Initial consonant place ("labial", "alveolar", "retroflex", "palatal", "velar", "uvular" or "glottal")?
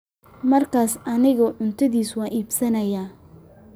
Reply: labial